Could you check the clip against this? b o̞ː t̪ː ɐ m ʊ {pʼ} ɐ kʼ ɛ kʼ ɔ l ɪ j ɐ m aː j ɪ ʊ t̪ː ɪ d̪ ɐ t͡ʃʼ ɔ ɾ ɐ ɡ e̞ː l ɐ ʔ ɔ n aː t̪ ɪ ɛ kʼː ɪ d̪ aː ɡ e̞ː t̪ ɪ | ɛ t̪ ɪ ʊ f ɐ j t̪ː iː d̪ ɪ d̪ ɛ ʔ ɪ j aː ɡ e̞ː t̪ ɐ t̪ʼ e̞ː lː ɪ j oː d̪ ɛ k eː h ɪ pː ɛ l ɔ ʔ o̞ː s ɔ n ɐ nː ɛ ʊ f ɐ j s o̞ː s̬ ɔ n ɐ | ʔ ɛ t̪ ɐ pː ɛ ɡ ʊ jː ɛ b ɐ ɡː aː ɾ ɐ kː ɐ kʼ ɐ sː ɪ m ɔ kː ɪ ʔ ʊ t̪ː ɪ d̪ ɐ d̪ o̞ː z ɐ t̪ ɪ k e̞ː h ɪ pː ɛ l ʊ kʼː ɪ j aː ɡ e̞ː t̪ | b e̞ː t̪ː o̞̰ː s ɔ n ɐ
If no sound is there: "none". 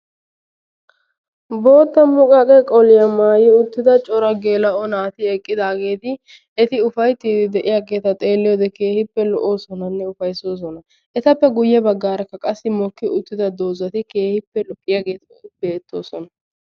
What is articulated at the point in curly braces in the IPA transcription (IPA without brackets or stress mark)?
kʼ